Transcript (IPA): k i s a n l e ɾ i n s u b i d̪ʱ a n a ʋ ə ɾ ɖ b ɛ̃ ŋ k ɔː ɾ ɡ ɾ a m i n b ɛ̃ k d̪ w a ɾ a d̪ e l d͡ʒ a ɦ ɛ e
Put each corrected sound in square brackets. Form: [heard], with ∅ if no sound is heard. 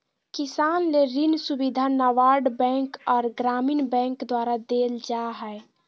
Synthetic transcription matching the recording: k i s a n l e ɾ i n s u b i d̪ʱ a n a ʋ [a] ɾ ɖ b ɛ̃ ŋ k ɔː ɾ ɡ ɾ a m i n b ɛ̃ k d̪ w a ɾ a d̪ e l d͡ʒ a ɦ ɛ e